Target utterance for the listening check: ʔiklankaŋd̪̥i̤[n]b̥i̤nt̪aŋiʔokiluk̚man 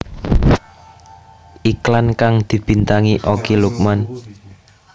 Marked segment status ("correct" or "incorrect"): incorrect